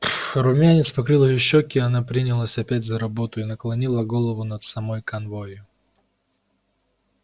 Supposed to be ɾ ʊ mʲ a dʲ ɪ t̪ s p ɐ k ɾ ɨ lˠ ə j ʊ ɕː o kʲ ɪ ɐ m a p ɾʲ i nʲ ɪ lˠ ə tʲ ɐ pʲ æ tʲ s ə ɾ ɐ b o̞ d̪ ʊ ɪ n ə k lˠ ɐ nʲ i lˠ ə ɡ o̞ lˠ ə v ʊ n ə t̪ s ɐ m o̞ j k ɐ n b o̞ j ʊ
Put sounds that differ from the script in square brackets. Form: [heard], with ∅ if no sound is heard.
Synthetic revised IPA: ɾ ʊ mʲ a [nʲ] ɪ t̪ s p ɐ k ɾ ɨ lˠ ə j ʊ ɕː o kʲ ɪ ɐ [n] a p ɾʲ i nʲ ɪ lˠ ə [sʲ] ɐ pʲ æ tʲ [z] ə ɾ ɐ b o̞ [t̪] ʊ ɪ n ə k lˠ ɐ nʲ i lˠ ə ɡ o̞ lˠ ə v ʊ n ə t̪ s ɐ m o̞ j k ɐ n [v] o̞ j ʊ